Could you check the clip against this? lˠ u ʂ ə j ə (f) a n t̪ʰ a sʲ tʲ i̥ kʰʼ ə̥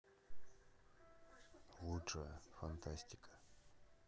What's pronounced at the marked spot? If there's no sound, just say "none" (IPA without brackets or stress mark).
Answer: f